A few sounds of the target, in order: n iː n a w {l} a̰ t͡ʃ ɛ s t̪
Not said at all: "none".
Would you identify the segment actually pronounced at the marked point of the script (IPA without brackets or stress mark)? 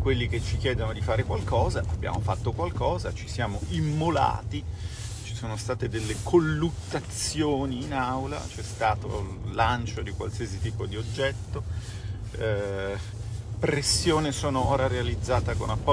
l